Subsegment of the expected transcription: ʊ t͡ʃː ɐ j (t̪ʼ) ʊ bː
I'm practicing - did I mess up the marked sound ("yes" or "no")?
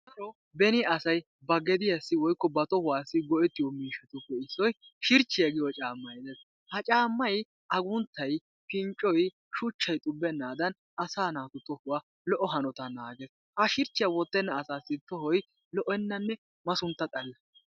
no